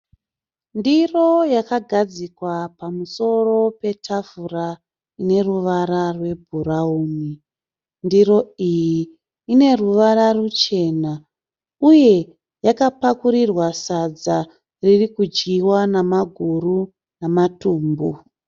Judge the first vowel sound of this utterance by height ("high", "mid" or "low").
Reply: high